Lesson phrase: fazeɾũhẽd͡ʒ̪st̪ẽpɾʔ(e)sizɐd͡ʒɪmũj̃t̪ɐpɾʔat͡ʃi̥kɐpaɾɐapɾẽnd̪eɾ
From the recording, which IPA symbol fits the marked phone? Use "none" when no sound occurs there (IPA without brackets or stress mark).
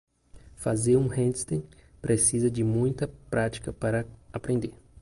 e